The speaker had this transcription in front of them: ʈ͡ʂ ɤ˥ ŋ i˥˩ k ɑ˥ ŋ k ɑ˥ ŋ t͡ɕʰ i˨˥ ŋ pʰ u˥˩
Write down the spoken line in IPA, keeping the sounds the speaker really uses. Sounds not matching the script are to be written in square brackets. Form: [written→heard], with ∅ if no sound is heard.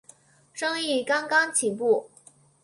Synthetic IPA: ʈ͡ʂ ɤ˥ ŋ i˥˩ k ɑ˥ ŋ k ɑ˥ ŋ t͡ɕʰ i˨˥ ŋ [pʰ→p] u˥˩